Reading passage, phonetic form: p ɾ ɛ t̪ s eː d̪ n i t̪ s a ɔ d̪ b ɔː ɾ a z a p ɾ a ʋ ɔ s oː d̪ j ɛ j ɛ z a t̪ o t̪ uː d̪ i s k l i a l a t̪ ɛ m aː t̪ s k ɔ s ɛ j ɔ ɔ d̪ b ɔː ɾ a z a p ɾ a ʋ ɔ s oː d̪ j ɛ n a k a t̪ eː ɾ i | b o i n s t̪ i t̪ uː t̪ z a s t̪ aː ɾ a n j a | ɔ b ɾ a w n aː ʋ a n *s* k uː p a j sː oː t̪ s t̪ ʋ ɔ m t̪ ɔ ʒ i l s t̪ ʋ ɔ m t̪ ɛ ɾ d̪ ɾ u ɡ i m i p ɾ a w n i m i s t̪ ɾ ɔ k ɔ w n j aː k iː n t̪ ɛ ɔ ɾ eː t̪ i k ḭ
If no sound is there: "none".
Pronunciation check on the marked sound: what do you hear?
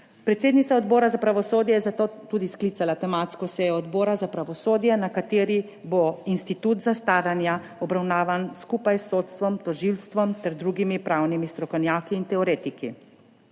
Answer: s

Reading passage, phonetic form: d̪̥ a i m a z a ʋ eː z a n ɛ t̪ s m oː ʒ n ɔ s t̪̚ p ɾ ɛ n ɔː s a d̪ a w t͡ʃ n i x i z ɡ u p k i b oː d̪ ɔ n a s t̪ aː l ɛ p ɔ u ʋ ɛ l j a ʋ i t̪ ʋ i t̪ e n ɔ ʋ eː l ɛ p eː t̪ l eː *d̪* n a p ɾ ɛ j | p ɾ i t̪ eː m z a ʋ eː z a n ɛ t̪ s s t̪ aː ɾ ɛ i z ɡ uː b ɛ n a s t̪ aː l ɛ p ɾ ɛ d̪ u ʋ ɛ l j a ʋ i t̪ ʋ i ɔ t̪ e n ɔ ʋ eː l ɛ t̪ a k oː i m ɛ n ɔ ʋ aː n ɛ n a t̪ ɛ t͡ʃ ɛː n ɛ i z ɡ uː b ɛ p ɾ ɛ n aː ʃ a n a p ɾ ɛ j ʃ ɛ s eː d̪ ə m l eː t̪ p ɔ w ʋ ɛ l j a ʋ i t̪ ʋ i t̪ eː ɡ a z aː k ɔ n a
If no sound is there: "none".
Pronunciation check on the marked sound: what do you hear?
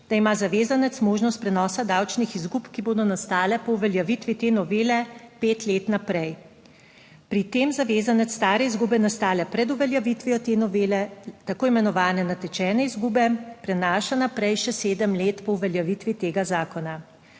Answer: t̪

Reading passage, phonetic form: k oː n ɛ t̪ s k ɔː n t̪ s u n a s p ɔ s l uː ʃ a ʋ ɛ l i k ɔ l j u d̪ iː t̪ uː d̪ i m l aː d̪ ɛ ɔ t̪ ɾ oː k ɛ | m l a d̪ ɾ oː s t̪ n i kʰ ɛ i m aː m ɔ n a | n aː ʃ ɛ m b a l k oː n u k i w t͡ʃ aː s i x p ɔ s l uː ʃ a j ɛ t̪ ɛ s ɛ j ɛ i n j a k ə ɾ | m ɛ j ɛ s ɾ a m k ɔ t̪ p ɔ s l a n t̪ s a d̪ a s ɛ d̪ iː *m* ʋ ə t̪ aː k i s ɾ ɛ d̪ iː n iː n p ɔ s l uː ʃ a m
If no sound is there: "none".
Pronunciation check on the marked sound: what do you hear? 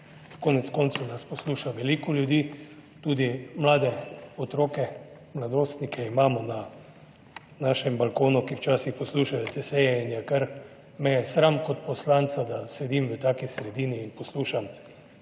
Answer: m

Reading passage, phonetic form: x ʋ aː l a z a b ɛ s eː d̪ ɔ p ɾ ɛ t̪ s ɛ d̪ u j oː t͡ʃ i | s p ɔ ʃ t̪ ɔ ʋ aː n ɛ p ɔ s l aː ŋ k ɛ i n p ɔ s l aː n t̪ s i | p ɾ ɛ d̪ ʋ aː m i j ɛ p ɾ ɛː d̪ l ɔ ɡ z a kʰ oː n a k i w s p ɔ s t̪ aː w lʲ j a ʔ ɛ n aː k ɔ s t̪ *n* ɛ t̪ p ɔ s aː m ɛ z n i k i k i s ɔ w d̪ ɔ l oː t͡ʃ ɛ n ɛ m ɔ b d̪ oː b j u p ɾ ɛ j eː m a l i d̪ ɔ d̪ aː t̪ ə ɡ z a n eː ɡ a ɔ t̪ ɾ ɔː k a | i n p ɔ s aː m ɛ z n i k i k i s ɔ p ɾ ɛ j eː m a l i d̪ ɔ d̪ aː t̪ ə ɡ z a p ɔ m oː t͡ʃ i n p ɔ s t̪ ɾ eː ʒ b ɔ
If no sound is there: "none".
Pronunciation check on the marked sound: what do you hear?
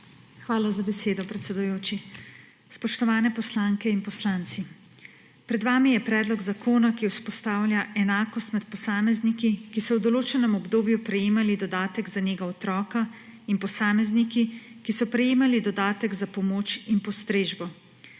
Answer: m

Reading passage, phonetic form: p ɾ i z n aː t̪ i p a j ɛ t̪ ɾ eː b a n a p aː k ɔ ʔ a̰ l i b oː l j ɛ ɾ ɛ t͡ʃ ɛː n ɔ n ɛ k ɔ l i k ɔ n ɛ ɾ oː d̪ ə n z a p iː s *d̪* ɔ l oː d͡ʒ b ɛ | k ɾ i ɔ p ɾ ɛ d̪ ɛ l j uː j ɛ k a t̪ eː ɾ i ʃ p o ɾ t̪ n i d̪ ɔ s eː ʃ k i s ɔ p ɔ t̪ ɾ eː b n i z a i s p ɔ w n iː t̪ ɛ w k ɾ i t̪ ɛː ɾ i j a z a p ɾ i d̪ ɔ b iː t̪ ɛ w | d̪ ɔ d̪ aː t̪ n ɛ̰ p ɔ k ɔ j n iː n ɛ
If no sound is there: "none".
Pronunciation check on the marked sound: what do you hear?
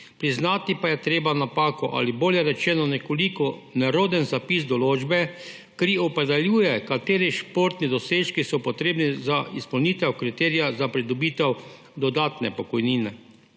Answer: d̪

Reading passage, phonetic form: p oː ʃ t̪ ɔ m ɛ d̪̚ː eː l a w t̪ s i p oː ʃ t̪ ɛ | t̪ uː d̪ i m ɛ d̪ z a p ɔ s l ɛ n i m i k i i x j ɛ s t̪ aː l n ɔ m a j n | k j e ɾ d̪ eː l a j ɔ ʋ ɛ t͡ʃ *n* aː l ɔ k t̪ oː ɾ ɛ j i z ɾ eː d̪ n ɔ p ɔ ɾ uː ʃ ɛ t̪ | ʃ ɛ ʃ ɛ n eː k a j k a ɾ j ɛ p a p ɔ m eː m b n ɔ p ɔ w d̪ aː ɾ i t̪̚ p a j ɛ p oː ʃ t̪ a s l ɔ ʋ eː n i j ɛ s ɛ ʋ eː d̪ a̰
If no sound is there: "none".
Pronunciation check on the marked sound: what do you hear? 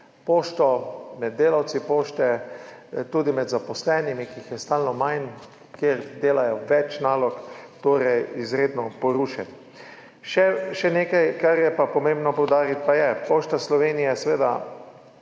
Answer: n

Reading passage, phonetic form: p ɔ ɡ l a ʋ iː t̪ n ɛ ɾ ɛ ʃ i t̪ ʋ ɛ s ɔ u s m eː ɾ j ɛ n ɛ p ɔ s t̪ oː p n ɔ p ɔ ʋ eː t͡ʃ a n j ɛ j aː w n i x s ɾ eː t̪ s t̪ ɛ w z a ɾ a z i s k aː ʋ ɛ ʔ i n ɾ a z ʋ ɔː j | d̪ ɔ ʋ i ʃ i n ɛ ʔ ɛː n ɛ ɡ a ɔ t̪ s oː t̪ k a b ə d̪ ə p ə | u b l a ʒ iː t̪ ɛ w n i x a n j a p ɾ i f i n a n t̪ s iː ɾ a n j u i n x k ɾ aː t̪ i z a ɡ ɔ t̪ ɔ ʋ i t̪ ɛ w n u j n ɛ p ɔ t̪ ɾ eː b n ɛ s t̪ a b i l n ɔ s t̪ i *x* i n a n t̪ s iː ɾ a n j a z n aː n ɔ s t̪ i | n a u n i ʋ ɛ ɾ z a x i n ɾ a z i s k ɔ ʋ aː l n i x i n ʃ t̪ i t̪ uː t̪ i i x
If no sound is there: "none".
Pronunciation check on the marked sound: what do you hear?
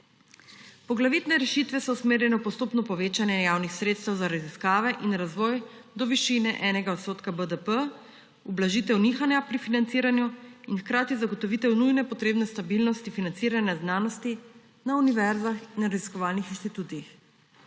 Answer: f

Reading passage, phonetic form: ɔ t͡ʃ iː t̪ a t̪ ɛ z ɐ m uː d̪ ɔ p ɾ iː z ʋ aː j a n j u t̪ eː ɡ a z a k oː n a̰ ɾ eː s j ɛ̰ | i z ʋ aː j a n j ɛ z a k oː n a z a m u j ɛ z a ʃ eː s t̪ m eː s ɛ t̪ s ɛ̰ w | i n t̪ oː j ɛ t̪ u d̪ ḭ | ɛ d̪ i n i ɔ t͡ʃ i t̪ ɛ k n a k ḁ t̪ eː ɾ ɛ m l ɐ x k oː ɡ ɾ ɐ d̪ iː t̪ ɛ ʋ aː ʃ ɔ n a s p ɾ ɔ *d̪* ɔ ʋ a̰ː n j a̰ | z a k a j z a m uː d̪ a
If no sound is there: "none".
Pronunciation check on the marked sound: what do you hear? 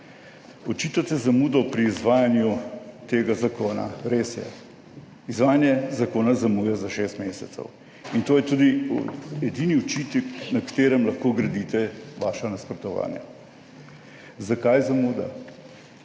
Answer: t̪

